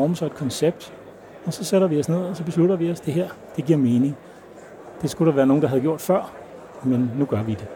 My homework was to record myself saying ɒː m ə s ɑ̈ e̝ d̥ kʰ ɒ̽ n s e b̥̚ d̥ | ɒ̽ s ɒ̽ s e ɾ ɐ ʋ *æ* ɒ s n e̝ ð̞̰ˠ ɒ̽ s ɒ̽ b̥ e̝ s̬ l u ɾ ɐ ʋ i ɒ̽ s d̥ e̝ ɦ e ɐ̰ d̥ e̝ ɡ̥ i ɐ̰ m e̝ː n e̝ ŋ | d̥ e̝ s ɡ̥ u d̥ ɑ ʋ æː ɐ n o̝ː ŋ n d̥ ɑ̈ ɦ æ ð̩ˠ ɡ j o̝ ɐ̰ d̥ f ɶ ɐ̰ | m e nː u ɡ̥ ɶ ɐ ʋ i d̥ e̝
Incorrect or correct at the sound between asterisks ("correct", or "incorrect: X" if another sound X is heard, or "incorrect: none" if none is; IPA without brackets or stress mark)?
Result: incorrect: i